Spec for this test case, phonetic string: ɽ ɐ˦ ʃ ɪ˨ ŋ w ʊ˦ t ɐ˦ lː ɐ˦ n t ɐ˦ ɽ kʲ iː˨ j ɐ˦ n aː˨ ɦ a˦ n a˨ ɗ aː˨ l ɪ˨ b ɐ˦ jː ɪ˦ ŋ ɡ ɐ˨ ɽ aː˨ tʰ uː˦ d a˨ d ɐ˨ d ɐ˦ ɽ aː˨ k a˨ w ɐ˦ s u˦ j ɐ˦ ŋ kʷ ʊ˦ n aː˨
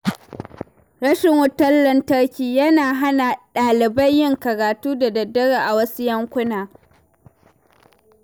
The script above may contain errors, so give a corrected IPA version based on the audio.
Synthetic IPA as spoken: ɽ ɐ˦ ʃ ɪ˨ ŋ w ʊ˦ t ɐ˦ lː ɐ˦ n t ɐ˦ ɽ kʲ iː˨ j ɐ˦ n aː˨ ɦ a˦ n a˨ ɗ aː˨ l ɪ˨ b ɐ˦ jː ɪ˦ ŋ k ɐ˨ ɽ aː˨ t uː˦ d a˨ d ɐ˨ d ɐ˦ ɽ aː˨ ʔ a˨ w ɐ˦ s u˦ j ɐ˦ ŋ kʷ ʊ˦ n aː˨